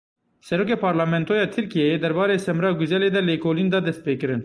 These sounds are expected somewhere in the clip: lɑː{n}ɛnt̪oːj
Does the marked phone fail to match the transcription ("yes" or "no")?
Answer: yes